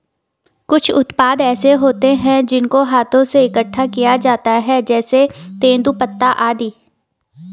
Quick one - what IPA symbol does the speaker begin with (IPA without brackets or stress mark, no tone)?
k